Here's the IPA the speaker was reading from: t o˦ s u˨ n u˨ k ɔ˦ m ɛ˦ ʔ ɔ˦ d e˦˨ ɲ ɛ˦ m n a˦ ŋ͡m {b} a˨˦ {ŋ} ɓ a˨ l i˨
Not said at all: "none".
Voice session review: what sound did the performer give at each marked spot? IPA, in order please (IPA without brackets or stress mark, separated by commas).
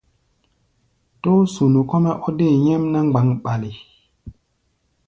ɡ͡b, ŋ